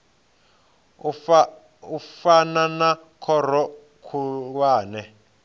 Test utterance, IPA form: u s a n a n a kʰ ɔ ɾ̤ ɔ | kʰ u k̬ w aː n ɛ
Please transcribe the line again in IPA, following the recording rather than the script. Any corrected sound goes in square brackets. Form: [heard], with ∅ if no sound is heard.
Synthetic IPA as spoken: u [f] a n a n a kʰ ɔ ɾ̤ ɔ | kʰ u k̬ w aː n ɛ